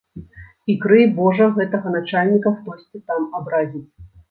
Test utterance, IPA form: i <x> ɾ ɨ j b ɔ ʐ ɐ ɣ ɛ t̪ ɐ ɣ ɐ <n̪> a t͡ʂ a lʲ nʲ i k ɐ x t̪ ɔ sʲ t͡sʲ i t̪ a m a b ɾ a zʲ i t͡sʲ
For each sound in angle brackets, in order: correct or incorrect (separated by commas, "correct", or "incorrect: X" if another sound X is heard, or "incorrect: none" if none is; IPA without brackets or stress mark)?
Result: incorrect: k, correct